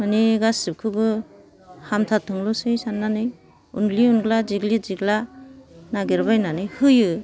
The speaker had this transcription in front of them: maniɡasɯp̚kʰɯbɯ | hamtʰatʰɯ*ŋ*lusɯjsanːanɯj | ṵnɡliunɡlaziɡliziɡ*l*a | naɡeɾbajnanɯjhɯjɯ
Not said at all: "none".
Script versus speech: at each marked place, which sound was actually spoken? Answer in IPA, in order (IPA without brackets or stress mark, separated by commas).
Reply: ŋ, l